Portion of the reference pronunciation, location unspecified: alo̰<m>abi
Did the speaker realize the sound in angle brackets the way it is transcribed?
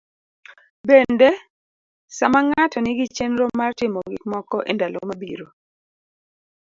yes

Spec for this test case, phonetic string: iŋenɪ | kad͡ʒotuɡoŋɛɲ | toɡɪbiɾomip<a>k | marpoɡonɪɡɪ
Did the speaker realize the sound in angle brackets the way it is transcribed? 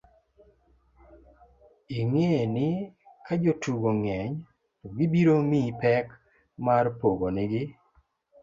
no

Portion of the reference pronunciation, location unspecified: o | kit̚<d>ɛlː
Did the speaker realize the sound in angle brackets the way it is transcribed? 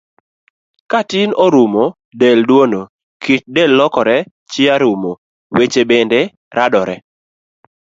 yes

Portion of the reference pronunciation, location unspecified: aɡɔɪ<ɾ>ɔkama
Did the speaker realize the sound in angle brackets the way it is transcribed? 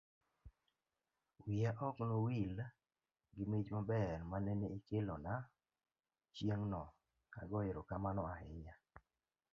yes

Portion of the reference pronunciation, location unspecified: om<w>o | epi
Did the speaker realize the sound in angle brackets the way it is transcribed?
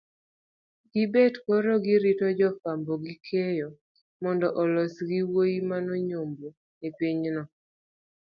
no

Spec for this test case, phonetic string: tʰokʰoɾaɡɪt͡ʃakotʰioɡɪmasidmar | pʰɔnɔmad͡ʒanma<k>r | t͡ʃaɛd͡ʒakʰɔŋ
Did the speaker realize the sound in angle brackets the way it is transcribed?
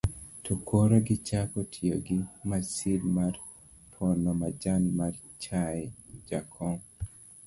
no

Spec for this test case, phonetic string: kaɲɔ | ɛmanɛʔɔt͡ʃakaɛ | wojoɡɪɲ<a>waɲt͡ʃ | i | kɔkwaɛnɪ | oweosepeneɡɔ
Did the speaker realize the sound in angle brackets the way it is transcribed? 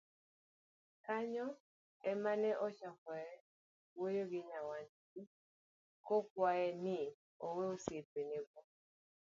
yes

